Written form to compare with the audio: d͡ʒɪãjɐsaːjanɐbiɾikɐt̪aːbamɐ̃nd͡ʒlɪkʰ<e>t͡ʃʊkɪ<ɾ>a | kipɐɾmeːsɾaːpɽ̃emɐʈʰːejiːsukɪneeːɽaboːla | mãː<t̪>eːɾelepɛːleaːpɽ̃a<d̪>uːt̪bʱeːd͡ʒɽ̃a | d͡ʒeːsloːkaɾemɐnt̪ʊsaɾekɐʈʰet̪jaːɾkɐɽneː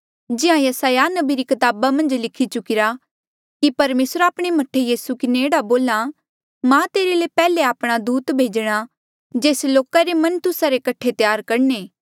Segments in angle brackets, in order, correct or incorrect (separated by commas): incorrect, correct, correct, correct